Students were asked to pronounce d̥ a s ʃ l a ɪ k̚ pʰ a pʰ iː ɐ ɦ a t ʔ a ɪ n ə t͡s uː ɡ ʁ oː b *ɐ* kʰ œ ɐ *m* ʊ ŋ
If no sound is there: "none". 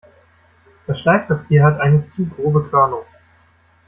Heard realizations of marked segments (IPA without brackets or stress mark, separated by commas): ə, n